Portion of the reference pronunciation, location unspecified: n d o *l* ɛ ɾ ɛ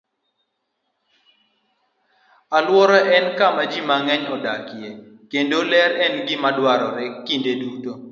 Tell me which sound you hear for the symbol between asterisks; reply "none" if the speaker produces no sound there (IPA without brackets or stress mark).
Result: l